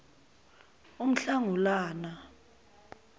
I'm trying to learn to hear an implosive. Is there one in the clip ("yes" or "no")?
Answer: no